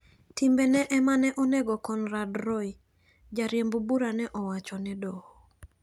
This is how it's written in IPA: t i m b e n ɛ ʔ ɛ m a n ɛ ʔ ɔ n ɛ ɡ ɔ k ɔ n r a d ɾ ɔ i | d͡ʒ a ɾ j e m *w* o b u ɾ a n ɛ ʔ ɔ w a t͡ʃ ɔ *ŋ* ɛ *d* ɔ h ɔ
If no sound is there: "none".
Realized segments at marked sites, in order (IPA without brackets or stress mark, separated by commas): b, n, d